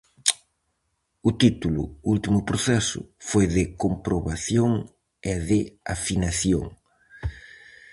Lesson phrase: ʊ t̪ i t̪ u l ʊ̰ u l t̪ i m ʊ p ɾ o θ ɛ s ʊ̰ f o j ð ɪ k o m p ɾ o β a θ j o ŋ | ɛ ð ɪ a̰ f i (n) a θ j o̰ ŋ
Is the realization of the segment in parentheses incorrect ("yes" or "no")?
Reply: no